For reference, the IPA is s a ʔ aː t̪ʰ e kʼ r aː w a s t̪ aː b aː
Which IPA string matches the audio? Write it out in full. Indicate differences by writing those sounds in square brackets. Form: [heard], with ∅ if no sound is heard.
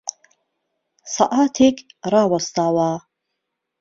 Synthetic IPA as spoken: s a ʔ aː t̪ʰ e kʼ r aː w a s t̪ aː [w] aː